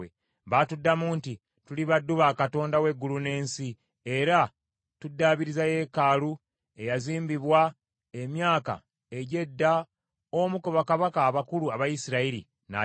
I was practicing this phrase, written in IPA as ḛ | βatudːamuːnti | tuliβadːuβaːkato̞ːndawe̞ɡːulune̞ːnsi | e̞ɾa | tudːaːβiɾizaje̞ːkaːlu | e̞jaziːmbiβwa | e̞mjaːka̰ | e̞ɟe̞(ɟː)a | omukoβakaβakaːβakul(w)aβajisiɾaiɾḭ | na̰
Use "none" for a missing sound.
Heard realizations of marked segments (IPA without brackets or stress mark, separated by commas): dː, u